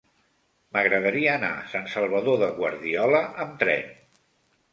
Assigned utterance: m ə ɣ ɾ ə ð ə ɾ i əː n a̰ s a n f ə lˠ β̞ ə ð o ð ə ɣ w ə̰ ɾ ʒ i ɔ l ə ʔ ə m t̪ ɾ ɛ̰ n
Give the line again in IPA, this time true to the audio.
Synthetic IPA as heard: m ə ɣ ɾ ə ð ə ɾ i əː n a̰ s a n s ə lˠ β̞ ə ð o ð ə ɣ w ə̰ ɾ ð i ɔ l ə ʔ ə m t̪ ɾ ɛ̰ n

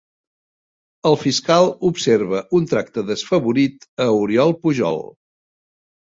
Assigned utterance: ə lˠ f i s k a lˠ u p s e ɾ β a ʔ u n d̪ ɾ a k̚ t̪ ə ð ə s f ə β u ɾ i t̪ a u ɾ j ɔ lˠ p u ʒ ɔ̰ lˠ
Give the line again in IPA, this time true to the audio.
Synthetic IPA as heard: ə lˠ f i s k a lˠ u p s e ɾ β ə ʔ u n t̪ ɾ a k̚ t̪ ə ð ə s f ə β u ɾ i t̪ ə u ɾ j ɔ lˠ p u ʒ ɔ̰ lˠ

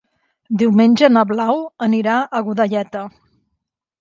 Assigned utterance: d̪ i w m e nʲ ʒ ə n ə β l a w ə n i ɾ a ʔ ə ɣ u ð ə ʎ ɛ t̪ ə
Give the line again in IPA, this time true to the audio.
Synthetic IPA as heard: d̪ i w m e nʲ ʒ ə n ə β l a w ə n i ɾ a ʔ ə ɣ u ð ə ʎ ɛ t̪ ə

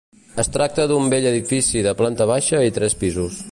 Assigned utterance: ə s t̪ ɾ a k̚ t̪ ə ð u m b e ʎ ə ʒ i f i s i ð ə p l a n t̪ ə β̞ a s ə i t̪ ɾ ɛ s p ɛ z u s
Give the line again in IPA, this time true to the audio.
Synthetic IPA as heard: ə s t̪ ɾ a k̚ t̪ ə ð u m b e ʎ ə ð i f i s i ð ə p l a n t̪ ə β̞ a ʃ ə i t̪ ɾ ɛ s p i z u s

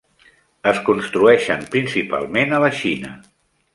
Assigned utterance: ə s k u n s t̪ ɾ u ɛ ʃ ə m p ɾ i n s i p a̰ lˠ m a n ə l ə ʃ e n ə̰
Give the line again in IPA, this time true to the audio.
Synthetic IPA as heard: ə s k u n s t̪ ɾ u ɛ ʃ ə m p ɾ i n s i p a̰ lˠ m e n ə l ə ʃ i n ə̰

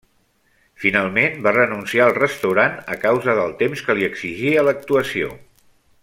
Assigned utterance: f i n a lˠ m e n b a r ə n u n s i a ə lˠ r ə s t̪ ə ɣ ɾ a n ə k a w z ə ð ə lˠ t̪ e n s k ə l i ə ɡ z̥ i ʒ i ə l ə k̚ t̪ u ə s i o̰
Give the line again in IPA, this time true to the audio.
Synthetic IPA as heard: f i n a lˠ m e n b a r ə n u n s i a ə lˠ r ə s t̪ ə w ɾ a n ə k a w z ə ð ə lˠ t̪ e m s k ə l i ə ɡ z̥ i ʒ i ə l ə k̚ t̪ u ə s i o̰

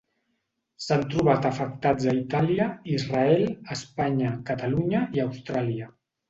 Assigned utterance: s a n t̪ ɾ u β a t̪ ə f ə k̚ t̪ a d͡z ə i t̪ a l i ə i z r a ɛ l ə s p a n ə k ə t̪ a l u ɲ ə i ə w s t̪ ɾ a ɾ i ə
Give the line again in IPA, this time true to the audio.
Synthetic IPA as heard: s a n t̪ ɾ u β a t̪ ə f ə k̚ t̪ a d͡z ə i t̪ a l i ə i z r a ɛ l ə s p a ɲ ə k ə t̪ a l u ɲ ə i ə w s t̪ ɾ a l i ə

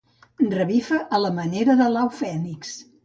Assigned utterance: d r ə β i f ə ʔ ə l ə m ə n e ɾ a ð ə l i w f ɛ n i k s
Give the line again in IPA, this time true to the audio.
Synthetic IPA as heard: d r ə β i f ə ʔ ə l ə m ə n e ɾ ə ð ə l a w f ɛ n i k s

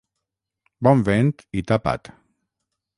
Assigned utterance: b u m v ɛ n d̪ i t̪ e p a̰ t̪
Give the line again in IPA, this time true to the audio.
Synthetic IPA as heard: b ɔ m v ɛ n t̪ i t̪ a p a̰ t̪

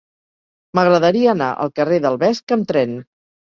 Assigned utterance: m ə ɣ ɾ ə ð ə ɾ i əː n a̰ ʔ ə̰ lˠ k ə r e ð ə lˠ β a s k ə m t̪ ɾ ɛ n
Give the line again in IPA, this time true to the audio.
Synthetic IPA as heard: m ə ɣ ɾ ə ð ə ɾ i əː n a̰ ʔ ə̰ lˠ k ə r e ð ə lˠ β ɛ s k ə m t̪ ɾ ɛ n

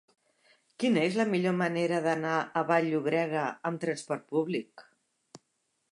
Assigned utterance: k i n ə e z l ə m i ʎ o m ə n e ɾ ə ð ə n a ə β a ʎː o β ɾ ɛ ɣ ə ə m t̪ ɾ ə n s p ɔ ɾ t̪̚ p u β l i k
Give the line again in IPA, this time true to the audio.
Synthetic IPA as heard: k i n ə e z l ə m i ʎ o m ə n e ɾ ə ð ə n a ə β a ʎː u β ɾ ɛ ɣ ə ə m t̪ ɾ ə n s p ɔ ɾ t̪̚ p u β l i k

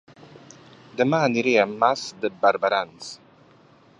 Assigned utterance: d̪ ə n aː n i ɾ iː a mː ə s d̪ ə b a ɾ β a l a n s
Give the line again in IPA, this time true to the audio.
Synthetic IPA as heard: d̪ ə m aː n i ɾ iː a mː a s d̪ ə b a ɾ b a ɾ a n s

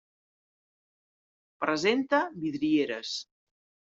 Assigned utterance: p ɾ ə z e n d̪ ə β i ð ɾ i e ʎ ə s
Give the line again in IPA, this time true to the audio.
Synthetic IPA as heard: p ɾ ə z e n t̪ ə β i ð ɾ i e ɾ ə s

